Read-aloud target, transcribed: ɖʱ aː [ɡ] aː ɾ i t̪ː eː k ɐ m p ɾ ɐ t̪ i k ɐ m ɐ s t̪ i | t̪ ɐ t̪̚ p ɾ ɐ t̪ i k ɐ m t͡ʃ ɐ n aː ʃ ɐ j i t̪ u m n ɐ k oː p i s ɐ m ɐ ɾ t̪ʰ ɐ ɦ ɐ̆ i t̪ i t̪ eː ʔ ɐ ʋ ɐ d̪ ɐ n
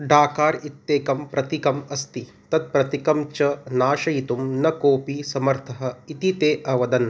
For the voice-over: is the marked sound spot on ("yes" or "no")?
no